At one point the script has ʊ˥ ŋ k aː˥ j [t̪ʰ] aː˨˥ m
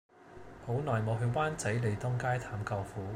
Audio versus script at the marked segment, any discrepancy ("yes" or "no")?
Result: no